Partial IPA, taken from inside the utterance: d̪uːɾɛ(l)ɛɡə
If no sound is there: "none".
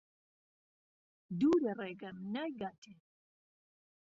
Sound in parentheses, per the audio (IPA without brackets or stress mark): r